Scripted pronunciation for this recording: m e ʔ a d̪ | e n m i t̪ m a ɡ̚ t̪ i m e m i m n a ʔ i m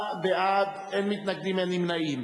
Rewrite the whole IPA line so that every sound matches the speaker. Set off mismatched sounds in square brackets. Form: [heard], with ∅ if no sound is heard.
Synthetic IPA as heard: [b] e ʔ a d̪ | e n m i t̪ [n] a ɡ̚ [d̪] i m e [n] i m n a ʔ i m